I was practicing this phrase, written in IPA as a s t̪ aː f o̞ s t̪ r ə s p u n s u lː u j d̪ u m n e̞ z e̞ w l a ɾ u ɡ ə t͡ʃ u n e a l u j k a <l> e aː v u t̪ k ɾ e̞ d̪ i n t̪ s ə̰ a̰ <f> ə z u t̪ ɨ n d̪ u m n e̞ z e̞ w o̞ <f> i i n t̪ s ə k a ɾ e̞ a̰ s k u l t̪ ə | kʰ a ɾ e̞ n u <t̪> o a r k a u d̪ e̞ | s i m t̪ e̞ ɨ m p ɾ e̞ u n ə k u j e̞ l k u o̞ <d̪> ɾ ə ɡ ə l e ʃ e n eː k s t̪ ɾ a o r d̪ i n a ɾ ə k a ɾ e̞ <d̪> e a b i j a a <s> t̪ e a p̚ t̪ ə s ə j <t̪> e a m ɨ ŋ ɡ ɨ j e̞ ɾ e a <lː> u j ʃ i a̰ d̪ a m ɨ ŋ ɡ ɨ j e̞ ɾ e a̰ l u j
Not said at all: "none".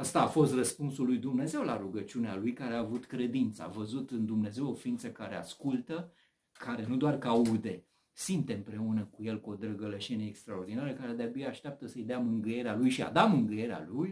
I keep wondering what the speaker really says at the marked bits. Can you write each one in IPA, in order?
ɾ, v, f, d̪, d̪, d̪, ʃ, d̪, l

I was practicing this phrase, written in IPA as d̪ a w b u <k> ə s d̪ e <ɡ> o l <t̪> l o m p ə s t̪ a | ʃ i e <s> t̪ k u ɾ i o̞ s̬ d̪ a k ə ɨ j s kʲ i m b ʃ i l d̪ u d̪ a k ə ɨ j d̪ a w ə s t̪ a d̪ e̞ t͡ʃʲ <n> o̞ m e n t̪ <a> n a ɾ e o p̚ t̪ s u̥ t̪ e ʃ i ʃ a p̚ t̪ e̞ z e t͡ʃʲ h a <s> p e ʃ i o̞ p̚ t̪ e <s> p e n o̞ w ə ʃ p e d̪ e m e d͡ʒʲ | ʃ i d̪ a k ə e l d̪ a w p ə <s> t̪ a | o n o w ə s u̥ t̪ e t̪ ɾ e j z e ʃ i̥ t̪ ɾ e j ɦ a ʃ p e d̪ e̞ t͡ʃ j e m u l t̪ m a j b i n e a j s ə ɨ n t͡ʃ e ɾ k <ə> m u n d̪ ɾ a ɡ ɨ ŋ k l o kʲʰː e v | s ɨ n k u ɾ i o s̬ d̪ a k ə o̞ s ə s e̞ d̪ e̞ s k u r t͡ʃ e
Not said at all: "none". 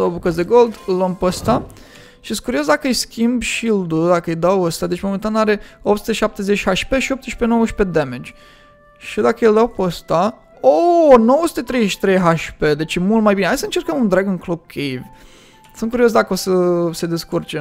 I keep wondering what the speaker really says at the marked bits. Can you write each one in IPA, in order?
k, ɡ, d̪, s, m, a, ʃ, ʃ, s, ə

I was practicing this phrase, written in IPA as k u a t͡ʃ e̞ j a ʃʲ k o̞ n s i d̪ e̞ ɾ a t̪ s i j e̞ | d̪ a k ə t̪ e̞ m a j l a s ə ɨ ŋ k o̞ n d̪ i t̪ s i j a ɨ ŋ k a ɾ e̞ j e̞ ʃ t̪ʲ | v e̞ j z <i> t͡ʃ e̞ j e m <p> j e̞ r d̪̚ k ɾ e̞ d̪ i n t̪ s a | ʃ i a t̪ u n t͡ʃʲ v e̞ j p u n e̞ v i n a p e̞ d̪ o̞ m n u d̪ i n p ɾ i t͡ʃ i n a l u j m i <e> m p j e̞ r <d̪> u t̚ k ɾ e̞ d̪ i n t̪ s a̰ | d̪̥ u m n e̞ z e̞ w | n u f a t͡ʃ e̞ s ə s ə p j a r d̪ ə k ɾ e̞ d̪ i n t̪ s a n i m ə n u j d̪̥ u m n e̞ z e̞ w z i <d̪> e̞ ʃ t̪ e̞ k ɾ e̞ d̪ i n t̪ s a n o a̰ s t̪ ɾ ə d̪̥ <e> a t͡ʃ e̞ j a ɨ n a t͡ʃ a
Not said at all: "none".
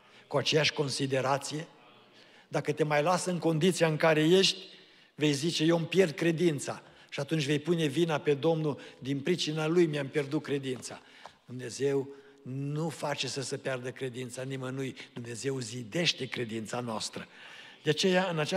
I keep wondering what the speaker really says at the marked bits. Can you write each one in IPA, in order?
i, p, a, d̪, d̪, e

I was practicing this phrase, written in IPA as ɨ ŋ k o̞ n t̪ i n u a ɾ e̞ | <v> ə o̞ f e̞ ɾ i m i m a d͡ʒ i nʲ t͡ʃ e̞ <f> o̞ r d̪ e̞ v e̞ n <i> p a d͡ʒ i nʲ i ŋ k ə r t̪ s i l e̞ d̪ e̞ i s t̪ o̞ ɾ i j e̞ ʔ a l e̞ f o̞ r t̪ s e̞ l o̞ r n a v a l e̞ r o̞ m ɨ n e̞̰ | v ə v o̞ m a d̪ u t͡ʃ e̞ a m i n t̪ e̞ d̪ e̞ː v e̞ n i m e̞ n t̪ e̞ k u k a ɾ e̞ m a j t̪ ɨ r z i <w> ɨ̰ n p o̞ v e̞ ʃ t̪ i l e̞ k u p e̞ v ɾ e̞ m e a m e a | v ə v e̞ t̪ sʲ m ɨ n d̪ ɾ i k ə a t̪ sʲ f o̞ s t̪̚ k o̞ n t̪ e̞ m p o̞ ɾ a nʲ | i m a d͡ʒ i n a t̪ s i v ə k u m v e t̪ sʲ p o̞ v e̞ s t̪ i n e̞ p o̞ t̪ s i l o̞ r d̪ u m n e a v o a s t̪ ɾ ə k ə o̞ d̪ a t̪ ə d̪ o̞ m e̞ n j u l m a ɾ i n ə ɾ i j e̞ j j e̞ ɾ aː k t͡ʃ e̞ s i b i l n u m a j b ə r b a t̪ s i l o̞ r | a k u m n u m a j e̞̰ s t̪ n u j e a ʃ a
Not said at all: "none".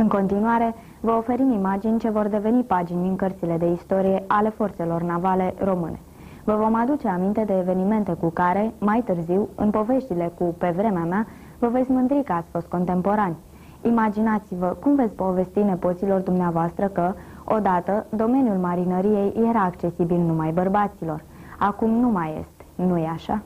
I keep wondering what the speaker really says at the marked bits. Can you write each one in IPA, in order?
v, v, i, w

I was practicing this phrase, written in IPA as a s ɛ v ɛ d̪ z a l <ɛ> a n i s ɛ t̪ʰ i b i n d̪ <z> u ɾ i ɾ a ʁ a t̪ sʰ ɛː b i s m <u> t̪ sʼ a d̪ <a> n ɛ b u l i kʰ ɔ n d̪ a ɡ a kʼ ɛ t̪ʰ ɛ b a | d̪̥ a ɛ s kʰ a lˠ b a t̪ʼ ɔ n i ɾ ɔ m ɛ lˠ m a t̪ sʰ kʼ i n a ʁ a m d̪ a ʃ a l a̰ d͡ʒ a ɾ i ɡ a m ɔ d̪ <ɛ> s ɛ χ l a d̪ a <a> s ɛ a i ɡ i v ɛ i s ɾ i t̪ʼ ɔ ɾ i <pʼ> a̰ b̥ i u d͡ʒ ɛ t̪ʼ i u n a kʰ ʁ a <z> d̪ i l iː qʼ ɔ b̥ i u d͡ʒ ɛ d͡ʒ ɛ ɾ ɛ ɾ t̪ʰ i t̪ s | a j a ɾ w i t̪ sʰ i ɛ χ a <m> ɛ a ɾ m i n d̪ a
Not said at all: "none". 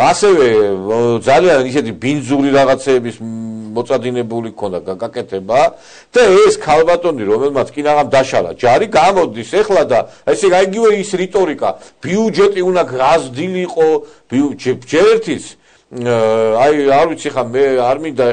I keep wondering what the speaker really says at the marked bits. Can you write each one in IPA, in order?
i, z, ɔ, i, i, ɛ, kʼ, z, m

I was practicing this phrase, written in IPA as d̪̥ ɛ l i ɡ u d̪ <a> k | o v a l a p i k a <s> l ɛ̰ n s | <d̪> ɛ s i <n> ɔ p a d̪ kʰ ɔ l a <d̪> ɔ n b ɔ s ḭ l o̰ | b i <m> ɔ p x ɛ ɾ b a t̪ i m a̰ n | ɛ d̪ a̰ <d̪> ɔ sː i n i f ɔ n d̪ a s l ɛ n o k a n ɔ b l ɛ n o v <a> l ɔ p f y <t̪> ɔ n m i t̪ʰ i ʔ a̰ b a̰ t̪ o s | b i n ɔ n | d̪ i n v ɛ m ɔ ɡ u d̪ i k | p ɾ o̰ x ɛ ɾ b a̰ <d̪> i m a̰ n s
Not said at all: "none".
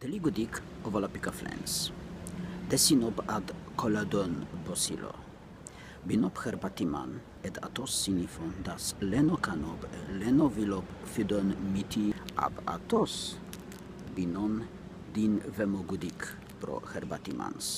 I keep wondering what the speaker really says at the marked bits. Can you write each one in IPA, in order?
i, f, d̪, n, d̪, n, t̪, i, d̪, t̪

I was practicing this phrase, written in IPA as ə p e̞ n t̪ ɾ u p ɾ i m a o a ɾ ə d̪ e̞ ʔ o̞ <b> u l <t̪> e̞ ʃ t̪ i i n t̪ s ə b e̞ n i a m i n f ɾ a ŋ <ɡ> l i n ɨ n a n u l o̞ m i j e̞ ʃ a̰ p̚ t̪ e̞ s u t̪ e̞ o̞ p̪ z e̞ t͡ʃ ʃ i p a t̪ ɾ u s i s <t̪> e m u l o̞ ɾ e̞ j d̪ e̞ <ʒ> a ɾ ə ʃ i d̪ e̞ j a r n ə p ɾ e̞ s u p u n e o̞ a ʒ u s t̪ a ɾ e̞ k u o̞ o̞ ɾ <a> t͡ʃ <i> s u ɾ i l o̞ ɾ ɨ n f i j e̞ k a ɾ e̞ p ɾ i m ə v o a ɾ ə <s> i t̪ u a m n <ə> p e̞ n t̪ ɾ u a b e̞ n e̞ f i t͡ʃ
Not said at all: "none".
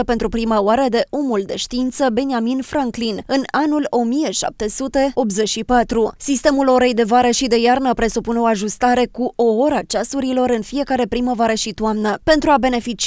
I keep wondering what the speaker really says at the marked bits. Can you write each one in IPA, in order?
m, d̪, k, t̪, v, a, a, ʃ, ə

